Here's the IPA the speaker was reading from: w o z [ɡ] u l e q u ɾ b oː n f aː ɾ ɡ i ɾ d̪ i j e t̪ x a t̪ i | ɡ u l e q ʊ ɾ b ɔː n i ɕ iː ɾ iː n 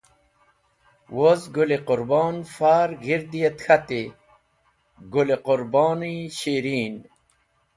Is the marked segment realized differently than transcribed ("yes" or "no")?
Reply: no